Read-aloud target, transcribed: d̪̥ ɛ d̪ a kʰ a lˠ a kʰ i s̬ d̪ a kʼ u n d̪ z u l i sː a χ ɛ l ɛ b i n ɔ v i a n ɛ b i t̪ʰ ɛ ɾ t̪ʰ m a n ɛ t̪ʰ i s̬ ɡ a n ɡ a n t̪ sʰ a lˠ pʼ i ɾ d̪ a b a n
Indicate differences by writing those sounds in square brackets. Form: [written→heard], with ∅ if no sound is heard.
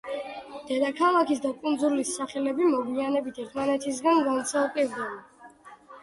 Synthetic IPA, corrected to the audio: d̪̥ ɛ d̪ a kʰ a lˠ a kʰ i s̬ d̪ a kʼ u n d̪ z u l i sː a χ ɛ l ɛ b i [n→m] ɔ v i a n ɛ b i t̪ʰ ɛ ɾ t̪ʰ m a n ɛ t̪ʰ i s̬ ɡ a n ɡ a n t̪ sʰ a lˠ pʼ i ɾ d̪ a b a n